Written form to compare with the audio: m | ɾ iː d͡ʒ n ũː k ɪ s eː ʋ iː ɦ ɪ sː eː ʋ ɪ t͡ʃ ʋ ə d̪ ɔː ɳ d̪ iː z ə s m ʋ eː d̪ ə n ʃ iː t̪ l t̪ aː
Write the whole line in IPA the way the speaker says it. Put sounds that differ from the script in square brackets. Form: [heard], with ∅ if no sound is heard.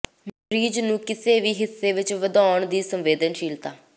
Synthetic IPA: m | ɾ iː d͡ʒ n ũː k ɪ s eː ʋ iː ɦ ɪ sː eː ʋ ɪ t͡ʃ ʋ ə d̪ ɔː ɳ d̪ iː [s] ə [∅] m ʋ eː d̪ ə n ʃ iː [∅] l t̪ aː

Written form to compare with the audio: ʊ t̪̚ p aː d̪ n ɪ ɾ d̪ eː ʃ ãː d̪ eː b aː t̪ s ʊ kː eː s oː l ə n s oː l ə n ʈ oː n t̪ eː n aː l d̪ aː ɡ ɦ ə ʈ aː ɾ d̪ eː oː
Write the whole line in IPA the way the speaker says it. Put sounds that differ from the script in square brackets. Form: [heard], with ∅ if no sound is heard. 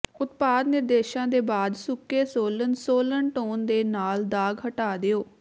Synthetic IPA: ʊ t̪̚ p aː d̪ n ɪ ɾ d̪ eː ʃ ãː d̪ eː b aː [d̪] s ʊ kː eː s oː l ə n s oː l ə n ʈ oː n [d̪] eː n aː l d̪ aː ɡ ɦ ə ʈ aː [∅] d̪ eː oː

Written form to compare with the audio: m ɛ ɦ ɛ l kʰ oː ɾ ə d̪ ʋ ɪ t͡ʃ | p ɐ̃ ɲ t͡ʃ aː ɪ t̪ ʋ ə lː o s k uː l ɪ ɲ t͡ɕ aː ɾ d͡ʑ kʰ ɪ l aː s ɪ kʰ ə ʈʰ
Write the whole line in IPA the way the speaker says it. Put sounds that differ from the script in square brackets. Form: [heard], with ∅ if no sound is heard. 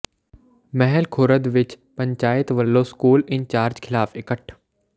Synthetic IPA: m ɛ ɦ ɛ l kʰ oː ɾ ə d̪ ʋ ɪ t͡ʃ | p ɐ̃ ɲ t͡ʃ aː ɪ t̪ ʋ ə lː o s k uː l ɪ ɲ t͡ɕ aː ɾ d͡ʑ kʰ ɪ l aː [f] ɪ [k] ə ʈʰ

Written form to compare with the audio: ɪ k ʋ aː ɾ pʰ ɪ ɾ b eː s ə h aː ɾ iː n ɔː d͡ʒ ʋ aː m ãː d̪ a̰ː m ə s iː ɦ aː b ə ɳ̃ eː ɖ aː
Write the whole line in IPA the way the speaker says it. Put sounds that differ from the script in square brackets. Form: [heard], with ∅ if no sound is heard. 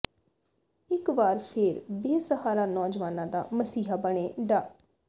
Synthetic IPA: ɪ k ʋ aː ɾ pʰ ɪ ɾ b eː s ə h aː ɾ [aː] n ɔː d͡ʒ ʋ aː [n] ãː d̪ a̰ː m ə s iː ɦ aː b ə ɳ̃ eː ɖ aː

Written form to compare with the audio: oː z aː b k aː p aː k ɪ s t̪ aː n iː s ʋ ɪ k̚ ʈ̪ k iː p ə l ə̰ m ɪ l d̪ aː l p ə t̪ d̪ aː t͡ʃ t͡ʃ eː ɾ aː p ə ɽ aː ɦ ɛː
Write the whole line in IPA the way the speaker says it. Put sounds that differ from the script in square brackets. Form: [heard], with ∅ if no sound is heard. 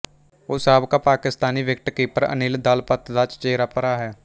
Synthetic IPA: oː [s] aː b k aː p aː k ɪ s t̪ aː n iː [∅] ʋ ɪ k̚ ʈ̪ k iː p ə [ɾ] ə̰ [n] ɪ l d̪ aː l p ə t̪ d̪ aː t͡ʃ t͡ʃ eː ɾ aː p ə [ɾ] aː ɦ ɛː

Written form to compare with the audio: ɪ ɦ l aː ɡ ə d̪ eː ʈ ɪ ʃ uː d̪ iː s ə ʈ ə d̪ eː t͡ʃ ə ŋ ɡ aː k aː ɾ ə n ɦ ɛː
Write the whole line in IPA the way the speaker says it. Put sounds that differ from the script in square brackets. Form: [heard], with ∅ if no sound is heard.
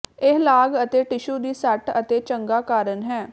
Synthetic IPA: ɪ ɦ l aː ɡ ə [t̪] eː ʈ ɪ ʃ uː d̪ iː s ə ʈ ə [t̪] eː t͡ʃ ə ŋ ɡ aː k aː ɾ ə n ɦ ɛː

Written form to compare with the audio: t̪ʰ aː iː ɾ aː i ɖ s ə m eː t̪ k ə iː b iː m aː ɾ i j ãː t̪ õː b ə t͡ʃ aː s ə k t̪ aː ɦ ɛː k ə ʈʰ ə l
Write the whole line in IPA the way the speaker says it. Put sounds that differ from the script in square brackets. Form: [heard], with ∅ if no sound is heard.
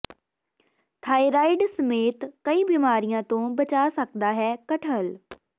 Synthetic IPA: t̪ʰ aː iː ɾ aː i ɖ s ə m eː t̪ k ə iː b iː m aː ɾ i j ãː t̪ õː b ə t͡ʃ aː s ə k [d̪] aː ɦ ɛː k ə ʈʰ ə l

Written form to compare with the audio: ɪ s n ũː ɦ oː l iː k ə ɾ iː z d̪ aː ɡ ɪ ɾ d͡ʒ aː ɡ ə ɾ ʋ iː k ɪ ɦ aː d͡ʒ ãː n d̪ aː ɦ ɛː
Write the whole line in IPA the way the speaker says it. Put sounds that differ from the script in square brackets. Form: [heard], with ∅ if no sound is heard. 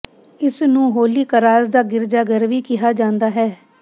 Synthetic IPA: ɪ s n ũː ɦ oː l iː k ə ɾ [aː] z d̪ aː ɡ ɪ ɾ d͡ʒ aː ɡ ə ɾ ʋ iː k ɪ ɦ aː d͡ʒ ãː n d̪ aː ɦ ɛː

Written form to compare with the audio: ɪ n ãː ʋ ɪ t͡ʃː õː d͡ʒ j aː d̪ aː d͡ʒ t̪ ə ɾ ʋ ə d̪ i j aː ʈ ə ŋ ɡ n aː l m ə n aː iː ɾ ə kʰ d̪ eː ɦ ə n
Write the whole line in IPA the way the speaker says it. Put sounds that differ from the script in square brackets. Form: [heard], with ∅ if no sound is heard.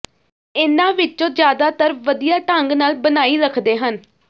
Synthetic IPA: ɪ n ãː ʋ ɪ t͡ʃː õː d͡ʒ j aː d̪ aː [∅] t̪ ə ɾ ʋ ə d̪ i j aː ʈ ə ŋ ɡ n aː l [b] ə n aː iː ɾ ə kʰ d̪ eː ɦ ə n

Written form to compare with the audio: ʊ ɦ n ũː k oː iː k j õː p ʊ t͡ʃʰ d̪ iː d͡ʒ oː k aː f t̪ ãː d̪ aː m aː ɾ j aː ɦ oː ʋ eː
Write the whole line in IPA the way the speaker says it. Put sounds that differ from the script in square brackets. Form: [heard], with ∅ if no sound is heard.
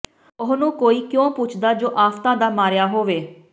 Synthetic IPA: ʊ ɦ n ũː k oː iː k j õː p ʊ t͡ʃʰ d̪ [aː] d͡ʒ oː [ʔ] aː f t̪ ãː d̪ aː m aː ɾ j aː ɦ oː ʋ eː

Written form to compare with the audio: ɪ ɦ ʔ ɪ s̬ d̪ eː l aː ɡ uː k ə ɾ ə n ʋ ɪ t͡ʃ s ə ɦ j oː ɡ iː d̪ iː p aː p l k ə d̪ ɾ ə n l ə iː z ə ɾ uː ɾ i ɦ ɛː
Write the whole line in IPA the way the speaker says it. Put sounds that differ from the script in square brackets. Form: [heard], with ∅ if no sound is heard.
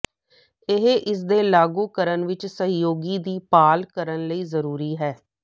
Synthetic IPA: ɪ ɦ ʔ ɪ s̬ d̪ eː l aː ɡ uː k ə ɾ ə n ʋ ɪ t͡ʃ s ə ɦ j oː ɡ iː d̪ iː p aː [∅] l k ə [∅] ɾ ə n l ə iː z ə ɾ uː ɾ [iː] ɦ ɛː

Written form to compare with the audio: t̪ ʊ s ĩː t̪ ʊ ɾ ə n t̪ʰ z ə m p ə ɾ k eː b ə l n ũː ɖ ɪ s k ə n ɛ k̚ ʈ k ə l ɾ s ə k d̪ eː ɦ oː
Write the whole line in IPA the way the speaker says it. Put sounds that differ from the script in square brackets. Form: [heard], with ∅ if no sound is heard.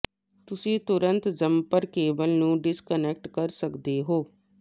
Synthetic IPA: t̪ ʊ s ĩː t̪ ʊ ɾ ə n [t̪] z ə m p ə ɾ k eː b ə l n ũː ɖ ɪ s k ə n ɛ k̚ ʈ k ə [∅] ɾ s ə k d̪ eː ɦ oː

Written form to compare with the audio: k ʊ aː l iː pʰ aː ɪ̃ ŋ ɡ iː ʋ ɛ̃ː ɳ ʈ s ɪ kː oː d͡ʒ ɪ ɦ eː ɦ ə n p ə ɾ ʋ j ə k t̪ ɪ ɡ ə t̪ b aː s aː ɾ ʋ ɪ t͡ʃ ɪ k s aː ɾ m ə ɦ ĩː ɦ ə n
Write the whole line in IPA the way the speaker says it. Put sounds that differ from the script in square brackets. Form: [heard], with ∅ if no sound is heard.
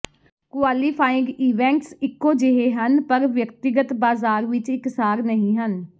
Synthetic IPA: k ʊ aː l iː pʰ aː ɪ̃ ŋ ɡ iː ʋ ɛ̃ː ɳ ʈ s ɪ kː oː d͡ʒ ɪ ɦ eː ɦ ə n p ə ɾ ʋ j ə k t̪ ɪ ɡ ə t̪ b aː [z] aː ɾ ʋ ɪ t͡ʃ ɪ k s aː ɾ [n] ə ɦ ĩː ɦ ə n

